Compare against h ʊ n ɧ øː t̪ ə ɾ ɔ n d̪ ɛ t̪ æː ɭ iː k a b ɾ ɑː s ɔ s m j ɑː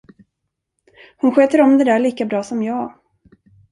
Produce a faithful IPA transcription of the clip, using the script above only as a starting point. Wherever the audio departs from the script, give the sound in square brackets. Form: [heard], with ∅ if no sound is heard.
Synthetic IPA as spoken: h ʊ n ɧ øː t̪ ə ɾ ɔ [m] d̪ ɛ [d̪] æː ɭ iː k a b ɾ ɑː s ɔ [∅] m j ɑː